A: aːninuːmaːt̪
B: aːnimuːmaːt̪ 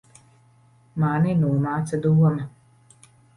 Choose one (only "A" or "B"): A